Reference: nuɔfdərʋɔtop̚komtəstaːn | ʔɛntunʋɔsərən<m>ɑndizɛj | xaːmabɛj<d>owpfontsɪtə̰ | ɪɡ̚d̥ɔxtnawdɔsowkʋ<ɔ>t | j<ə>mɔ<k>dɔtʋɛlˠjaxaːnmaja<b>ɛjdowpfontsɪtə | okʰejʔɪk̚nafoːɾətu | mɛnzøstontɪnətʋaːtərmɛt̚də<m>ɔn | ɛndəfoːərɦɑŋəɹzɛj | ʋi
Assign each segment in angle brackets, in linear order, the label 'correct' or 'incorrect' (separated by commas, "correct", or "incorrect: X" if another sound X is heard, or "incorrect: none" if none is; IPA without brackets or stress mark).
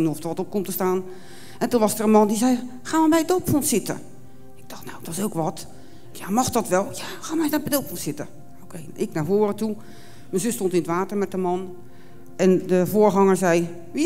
correct, correct, correct, incorrect: a, incorrect: x, correct, correct